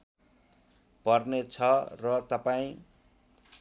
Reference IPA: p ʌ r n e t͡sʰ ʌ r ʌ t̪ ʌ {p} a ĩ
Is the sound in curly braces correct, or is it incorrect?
correct